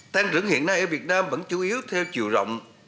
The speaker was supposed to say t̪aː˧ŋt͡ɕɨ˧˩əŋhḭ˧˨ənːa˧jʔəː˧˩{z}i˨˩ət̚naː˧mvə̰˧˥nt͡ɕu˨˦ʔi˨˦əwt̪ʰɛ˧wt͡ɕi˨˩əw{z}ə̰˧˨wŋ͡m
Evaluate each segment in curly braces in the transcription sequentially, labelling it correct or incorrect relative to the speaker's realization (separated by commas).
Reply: incorrect, correct